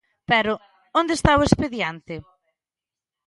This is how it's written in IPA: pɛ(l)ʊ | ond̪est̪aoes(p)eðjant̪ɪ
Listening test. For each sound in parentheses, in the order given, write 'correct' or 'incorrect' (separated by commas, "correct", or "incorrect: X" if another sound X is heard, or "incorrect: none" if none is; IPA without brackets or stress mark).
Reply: incorrect: ɾ, correct